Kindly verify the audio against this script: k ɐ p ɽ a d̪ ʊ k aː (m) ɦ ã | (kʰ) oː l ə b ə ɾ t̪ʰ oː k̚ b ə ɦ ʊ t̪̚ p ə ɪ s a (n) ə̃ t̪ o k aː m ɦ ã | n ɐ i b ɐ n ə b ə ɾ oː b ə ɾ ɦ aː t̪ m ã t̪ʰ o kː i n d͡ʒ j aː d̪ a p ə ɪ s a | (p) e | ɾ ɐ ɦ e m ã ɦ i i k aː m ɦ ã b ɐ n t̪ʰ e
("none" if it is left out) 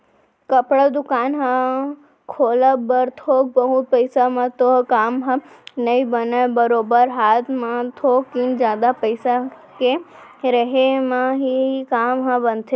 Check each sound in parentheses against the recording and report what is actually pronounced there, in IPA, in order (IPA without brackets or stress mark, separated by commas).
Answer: n, kʰ, m, k